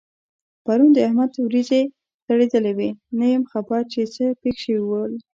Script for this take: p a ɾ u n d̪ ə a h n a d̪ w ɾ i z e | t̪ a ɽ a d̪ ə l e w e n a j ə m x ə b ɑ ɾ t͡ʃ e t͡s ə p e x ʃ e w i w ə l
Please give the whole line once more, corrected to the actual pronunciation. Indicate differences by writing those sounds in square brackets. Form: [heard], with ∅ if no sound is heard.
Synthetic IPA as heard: p a ɾ u n d̪ ə a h [m] a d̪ w ɾ i z e | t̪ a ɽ [e] d̪ ə l e w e n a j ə m x [a] b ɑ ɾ t͡ʃ e t͡s ə p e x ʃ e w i w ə l

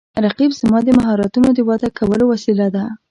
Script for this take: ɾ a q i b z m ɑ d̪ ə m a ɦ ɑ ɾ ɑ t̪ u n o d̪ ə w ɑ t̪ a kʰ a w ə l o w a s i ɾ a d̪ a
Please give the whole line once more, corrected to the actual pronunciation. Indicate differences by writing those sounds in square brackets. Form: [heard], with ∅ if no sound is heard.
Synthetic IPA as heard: ɾ a q i b z m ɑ d̪ ə m a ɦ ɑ ɾ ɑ t̪ u n o d̪ ə w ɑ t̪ a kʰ a w ə l o w a s i [l] a d̪ a

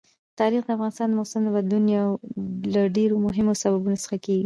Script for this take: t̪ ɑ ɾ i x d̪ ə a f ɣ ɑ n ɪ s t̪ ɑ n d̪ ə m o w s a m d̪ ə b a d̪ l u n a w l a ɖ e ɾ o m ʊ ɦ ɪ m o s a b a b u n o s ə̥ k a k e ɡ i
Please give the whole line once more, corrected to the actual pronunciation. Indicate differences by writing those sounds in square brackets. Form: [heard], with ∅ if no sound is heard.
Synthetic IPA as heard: t̪ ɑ ɾ i x d̪ ə a f ɣ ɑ n ɪ s t̪ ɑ n d̪ ə m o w s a m d̪ ə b a d̪ l u n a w l a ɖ e ɾ o m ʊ ɦ ɪ m o s a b a b u n o s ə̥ [x] a k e ɡ i

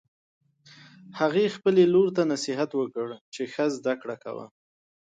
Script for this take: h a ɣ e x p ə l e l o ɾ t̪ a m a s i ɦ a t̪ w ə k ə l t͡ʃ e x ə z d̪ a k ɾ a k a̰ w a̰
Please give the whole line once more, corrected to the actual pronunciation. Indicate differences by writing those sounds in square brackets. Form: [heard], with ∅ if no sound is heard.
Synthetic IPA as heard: h a ɣ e x p ə l e l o ɾ t̪ a [n] a s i ɦ a t̪ w ə k ə [ɽ] t͡ʃ e x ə z d̪ a k [ɽ] a k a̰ w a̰

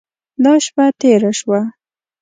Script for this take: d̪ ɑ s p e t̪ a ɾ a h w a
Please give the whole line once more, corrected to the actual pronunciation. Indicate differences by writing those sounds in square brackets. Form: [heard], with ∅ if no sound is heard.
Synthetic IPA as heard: d̪ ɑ [ʃ] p [a] t̪ [e] ɾ a [ʃ] w a

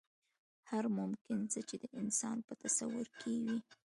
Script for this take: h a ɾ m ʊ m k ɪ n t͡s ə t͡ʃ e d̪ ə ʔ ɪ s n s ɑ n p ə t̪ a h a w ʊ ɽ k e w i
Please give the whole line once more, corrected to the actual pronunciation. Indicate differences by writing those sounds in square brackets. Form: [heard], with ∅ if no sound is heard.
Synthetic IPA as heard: h a ɾ m ʊ m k ɪ n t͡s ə t͡ʃ e d̪ ə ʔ ɪ [∅] n s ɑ n p ə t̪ a [s] a w ʊ [ɾ] k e w i

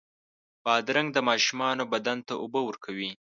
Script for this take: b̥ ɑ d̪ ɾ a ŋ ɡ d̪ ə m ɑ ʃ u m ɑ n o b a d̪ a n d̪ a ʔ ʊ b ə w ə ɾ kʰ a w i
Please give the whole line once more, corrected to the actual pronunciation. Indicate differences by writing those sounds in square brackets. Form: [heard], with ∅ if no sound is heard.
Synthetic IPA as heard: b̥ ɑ d̪ ɾ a ŋ ɡ d̪ ə m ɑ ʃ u m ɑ n o b a d̪ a n [t̪] a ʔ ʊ b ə w ə ɾ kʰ a w i

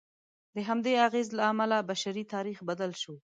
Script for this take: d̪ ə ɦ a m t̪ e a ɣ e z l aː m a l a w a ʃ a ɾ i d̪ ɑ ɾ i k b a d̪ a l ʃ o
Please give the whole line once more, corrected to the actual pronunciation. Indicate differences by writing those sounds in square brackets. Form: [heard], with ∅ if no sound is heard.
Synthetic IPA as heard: d̪ ə ɦ a m [d̪] e a ɣ e z l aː m a l a [b] a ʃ a ɾ i [t̪] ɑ ɾ i [x] b a d̪ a l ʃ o

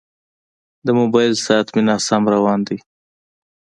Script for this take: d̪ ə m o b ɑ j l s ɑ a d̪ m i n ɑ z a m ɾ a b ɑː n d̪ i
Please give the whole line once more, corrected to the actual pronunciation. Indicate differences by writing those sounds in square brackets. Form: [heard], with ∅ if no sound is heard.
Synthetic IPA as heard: d̪ ə m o b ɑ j l s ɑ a [t̪] m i n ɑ [s] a m ɾ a [w] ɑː n d̪ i

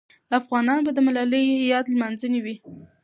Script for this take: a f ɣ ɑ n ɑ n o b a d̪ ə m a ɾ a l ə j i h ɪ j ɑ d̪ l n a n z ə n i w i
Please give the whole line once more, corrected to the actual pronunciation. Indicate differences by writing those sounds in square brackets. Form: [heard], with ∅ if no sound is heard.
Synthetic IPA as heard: a f ɣ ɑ n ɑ n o b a d̪ ə m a [l] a l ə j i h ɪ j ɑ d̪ l [m] a n z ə n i w i

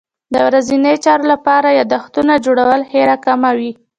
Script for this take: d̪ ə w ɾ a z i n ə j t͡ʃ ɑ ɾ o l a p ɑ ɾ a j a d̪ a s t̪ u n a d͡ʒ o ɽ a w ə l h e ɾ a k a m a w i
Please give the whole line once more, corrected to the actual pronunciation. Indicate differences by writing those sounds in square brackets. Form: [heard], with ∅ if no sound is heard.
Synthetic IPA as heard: d̪ ə w ɾ a z i n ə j t͡ʃ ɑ ɾ o l a p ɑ ɾ a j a d̪ a [x] t̪ u n a d͡ʒ o ɽ a w ə l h e ɾ a k a m a w i

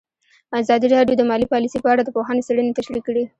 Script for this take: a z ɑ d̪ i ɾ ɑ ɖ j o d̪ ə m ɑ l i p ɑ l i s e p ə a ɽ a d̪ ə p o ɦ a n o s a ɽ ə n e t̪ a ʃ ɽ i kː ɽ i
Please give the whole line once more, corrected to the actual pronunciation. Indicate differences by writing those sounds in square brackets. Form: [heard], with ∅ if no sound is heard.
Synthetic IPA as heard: a z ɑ d̪ i ɾ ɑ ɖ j o d̪ ə m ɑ l i p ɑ l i s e p ə a ɽ a d̪ ə p o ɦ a n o s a ɽ ə n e t̪ a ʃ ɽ i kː ɽ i

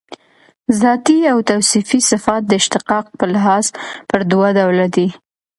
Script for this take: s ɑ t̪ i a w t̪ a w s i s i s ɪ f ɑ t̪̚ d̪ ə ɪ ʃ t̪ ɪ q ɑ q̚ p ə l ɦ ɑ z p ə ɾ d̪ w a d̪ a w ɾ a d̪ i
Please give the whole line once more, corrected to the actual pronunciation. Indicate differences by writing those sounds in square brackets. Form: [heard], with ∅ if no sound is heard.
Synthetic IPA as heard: [z] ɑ t̪ i a w t̪ a w s i [f] i s ɪ f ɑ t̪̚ d̪ ə ɪ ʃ t̪ ɪ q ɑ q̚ p ə l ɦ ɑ z p ə ɾ d̪ w a d̪ a w [l] a d̪ i

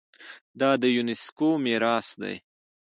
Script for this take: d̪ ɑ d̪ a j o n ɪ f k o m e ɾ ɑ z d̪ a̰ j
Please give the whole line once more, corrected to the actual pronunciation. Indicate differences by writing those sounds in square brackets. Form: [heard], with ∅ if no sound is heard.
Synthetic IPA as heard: d̪ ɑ d̪ [ə] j [u] n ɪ [s] k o m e ɾ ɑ [s] d̪ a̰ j

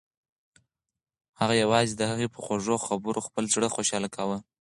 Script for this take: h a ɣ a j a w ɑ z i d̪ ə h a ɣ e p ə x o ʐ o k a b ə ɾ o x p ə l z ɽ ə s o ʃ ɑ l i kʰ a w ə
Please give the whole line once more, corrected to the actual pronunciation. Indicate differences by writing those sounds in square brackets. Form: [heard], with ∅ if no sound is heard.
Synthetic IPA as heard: h a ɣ a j a w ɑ z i d̪ ə h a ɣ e p ə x o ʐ o [x] a b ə ɾ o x p ə l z ɽ ə [x] o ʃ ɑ l [a] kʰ a w ə

